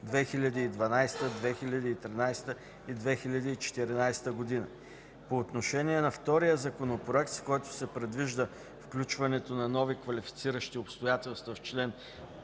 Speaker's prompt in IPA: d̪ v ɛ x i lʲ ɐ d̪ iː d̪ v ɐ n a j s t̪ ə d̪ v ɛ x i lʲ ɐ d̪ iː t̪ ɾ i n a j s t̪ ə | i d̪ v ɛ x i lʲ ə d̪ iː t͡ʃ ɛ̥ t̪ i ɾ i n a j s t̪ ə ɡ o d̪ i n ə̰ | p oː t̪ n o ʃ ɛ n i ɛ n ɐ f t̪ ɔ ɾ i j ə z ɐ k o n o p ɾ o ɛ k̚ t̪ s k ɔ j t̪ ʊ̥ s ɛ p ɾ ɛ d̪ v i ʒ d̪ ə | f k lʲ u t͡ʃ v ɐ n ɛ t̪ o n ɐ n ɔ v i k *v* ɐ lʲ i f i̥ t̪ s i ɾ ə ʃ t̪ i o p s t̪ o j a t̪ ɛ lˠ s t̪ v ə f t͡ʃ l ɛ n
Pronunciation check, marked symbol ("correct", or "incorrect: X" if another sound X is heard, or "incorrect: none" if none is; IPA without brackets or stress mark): correct